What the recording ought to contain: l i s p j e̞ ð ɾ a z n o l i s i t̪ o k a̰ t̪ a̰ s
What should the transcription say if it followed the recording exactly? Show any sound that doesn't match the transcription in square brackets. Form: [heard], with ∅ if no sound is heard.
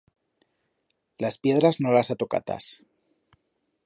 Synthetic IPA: l [a] s p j e̞ ð ɾ a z n o l [a] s [a] t̪ o k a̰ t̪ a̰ s